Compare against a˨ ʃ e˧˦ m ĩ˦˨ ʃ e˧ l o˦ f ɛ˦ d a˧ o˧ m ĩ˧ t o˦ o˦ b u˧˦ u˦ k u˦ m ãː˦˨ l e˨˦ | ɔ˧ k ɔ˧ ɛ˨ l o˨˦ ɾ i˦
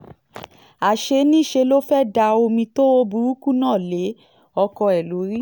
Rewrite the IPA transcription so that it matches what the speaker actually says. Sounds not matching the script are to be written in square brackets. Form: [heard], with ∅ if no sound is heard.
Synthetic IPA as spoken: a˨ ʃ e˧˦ [n] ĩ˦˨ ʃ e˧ l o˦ f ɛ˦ d a˧ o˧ m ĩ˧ t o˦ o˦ b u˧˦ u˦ k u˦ [n] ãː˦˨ l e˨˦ | ɔ˧ k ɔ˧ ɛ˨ l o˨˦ ɾ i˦